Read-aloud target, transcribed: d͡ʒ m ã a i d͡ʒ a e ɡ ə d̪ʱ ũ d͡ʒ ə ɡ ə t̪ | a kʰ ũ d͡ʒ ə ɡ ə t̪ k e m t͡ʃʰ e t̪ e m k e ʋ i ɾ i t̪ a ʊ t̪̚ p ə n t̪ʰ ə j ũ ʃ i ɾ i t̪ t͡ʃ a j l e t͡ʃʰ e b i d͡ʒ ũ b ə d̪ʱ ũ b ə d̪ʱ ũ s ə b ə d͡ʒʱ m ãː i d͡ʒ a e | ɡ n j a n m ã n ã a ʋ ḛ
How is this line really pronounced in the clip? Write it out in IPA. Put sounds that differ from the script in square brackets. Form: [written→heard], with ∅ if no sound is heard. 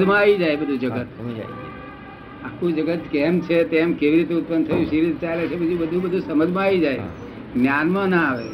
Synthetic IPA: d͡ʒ m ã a i d͡ʒ a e [ɡ→b] ə d̪ʱ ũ d͡ʒ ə ɡ ə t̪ | a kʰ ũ d͡ʒ ə ɡ ə t̪ k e m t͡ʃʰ e t̪ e m k e ʋ i ɾ i t̪ [a→e] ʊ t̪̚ p ə n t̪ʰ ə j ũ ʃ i ɾ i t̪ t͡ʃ a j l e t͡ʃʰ e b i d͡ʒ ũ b ə d̪ʱ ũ b ə d̪ʱ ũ s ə [b→m] ə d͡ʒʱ m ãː i d͡ʒ a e | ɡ n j a n m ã n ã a ʋ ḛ